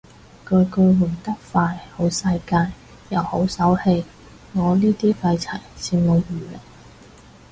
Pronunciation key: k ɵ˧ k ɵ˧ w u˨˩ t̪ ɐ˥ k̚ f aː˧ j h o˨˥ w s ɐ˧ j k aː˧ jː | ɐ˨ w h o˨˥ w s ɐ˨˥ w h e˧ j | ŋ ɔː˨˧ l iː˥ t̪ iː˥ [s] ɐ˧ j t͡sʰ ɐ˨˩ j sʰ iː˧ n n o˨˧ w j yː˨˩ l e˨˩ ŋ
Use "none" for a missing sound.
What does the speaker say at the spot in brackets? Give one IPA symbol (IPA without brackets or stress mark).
f